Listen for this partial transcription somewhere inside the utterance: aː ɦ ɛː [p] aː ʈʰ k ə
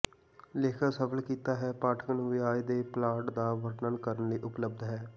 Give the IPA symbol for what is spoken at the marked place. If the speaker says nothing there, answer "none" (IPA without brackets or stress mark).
p